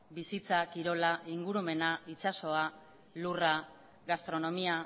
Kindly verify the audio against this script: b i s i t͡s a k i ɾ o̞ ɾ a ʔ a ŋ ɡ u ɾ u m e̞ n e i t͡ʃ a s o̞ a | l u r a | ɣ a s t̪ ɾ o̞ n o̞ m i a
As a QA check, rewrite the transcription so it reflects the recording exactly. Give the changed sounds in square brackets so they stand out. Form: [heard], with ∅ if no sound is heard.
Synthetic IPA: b i s i t͡s a k i ɾ o̞ [l] a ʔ [i] ŋ ɡ u ɾ u m e̞ n [a] i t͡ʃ a s o̞ a | l u r a | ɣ a s t̪ ɾ o̞ n o̞ m i a